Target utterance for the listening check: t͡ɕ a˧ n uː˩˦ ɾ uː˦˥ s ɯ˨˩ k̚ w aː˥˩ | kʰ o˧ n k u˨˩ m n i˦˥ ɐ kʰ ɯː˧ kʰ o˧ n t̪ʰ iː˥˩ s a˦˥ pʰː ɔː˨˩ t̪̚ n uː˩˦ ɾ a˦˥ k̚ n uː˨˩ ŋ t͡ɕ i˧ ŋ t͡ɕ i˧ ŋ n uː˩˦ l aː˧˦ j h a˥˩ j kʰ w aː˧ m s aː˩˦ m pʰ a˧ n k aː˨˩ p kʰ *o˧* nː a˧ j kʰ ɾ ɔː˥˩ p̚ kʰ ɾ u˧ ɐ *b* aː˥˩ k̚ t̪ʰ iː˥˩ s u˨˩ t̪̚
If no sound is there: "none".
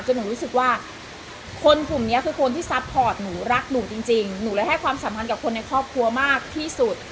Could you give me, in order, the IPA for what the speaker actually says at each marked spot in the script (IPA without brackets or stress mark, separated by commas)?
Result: o˧, m